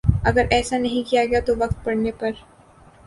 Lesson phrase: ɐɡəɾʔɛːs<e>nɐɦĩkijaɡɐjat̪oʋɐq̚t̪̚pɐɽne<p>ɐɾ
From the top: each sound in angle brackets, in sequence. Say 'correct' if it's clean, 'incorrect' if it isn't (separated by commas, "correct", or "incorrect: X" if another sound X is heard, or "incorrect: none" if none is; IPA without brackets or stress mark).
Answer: incorrect: a, correct